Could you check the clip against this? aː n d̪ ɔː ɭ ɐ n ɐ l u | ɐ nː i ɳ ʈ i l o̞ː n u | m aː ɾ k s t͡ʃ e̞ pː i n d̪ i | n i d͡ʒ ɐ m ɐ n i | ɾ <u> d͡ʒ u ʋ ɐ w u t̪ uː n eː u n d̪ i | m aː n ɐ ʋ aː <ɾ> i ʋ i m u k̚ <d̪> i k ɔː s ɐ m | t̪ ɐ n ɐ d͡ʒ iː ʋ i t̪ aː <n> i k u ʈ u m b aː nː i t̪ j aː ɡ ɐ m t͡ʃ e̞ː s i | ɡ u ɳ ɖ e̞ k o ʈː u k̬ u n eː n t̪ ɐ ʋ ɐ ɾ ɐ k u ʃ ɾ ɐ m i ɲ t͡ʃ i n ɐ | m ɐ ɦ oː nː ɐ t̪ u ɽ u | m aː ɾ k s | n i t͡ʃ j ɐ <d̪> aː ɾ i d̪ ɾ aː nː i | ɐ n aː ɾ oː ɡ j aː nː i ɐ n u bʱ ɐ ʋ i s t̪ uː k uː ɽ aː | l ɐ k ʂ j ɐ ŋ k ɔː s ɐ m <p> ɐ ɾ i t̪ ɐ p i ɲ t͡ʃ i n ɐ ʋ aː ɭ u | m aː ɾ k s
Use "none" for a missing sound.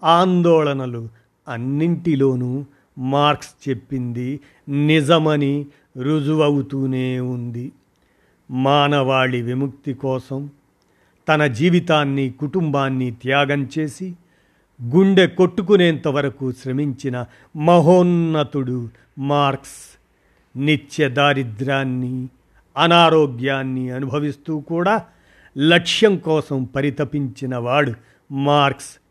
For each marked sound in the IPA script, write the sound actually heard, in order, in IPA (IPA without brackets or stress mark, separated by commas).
u, ɭ, t̪, nː, d̪, p